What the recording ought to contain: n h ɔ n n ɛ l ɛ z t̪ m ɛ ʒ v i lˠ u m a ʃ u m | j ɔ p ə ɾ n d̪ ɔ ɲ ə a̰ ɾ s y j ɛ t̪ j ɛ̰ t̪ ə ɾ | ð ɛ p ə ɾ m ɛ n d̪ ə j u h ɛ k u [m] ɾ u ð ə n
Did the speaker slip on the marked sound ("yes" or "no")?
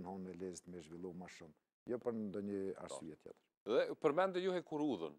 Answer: yes